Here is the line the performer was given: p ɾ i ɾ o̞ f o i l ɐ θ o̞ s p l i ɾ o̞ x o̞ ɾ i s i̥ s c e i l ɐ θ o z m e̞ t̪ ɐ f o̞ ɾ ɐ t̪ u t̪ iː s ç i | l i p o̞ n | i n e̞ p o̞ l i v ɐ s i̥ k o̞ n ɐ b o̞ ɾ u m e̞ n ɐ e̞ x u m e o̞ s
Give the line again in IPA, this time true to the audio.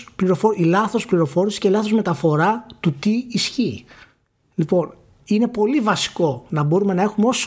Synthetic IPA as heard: p l i ɾ o̞ f o i l ɐ θ o̞ s p l i ɾ o̞ f o̞ ɾ i s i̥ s c e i l ɐ θ o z m e̞ t̪ ɐ f o̞ ɾ ɐ t̪ u t̪ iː s ç i | l i p o̞ n | i n e̞ p o̞ l i v ɐ s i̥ k o̞ n ɐ b o̞ ɾ u m e̞ n ɐ e̞ x u m e o̞ s